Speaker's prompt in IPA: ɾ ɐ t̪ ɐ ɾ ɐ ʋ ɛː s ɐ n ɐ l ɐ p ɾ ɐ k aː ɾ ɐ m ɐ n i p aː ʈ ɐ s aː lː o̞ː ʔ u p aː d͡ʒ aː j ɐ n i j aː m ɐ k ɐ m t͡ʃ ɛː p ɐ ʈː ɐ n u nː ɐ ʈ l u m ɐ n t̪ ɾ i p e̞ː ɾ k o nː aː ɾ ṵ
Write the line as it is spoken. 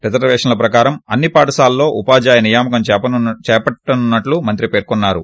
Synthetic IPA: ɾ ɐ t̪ ɐ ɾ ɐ ʋ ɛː ʂ ɐ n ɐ l ɐ p ɾ ɐ k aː ɾ ɐ m ɐ nː i p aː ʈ ɐ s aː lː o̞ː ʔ u p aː d͡ʒ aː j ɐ n i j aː m ɐ k ɐ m t͡ʃ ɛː p ɐ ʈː ɐ n u nː ɐ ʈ l u m ɐ n t̪ ɾ i p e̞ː ɾ k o nː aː ɾ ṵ